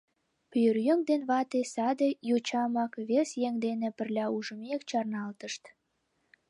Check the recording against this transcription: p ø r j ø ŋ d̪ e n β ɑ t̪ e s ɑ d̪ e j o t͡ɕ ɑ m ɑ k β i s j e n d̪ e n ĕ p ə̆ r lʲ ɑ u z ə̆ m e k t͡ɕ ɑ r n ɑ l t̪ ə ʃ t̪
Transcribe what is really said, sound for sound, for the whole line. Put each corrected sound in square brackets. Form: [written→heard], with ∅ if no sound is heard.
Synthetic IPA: p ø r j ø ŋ d̪ e n β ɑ t̪ e s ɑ d̪ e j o t͡ɕ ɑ m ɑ k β [i→e] s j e [n→ŋ] d̪ e n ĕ p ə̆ r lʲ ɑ u [z→ʒ] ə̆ m e k t͡ɕ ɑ r n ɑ l t̪ ə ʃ t̪